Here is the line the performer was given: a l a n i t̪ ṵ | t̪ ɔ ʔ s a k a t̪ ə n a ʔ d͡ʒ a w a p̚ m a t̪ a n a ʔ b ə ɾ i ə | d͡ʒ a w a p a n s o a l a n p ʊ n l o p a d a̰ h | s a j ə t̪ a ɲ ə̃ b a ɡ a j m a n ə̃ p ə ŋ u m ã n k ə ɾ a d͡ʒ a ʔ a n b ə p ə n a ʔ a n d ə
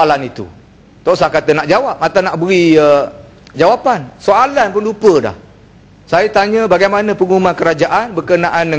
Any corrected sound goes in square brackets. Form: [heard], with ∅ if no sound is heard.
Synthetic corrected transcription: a l a n i t̪ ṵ | t̪ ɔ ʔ s a k a t̪ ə n a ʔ d͡ʒ a w a p̚ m a t̪ a n a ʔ b ə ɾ i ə | d͡ʒ a w a p a n s o a l a n p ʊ n l [u] p [ə] d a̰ h | s a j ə t̪ a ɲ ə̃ b a ɡ a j m a n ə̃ p ə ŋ u m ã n k ə ɾ a d͡ʒ a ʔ a n b ə [k] ə n a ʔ a n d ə